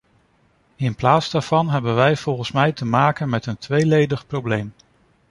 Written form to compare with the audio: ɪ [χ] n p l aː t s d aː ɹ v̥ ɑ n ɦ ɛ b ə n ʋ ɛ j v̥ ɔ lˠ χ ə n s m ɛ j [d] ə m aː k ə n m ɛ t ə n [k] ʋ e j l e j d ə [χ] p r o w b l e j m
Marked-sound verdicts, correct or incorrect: incorrect: none, incorrect: t, incorrect: t, correct

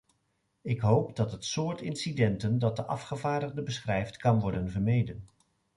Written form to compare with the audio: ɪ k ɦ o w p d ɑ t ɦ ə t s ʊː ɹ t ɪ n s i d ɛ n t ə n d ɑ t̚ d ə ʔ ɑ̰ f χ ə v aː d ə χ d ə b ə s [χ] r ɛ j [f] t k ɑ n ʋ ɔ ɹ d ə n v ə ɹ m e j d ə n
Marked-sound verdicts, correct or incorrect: correct, correct

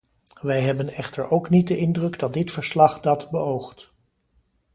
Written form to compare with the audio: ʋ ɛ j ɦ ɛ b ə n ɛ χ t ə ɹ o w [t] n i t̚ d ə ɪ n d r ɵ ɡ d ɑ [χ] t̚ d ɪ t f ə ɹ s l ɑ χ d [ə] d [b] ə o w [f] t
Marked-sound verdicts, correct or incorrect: incorrect: k, incorrect: none, incorrect: ɑ, correct, incorrect: χ

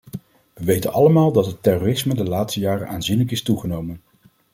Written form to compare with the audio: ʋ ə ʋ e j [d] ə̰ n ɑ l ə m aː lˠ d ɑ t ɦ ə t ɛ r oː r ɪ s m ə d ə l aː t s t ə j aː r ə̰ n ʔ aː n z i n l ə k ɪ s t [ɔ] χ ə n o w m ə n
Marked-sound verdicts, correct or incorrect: incorrect: t, incorrect: u

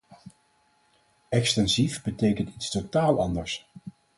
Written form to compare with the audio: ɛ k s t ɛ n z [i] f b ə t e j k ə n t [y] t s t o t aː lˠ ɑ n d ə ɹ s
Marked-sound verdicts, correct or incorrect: correct, incorrect: i

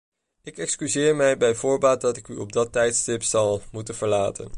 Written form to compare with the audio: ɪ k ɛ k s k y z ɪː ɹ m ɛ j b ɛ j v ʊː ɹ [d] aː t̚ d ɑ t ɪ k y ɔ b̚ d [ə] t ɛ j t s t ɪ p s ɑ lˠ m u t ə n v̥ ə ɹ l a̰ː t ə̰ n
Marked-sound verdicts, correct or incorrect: incorrect: b, incorrect: ɑ

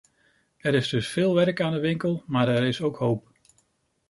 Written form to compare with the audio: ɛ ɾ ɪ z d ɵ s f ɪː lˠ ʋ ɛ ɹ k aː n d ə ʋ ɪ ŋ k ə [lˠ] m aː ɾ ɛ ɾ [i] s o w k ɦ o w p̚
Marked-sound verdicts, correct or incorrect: correct, incorrect: ɪ

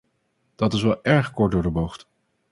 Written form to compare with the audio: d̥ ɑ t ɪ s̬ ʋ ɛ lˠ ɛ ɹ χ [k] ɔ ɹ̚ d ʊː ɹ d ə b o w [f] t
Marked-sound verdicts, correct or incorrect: correct, incorrect: χ

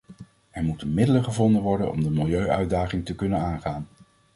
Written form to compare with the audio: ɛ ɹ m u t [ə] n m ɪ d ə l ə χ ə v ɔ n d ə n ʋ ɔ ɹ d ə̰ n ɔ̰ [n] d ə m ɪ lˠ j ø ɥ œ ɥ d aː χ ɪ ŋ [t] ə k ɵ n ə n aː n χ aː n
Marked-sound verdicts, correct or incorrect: correct, incorrect: m, correct

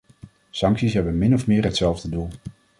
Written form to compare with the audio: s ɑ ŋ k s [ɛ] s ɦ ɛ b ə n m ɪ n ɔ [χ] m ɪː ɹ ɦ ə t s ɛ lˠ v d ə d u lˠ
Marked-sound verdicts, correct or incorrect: incorrect: i, incorrect: f

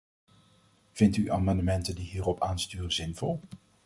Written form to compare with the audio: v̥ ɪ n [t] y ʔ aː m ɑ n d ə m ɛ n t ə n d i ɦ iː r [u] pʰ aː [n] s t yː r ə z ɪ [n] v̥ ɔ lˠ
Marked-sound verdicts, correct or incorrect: correct, incorrect: ɔ, correct, correct

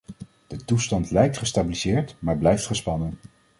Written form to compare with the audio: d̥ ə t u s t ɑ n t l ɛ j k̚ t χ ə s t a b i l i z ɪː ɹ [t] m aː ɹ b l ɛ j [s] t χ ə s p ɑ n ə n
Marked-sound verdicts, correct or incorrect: correct, incorrect: f

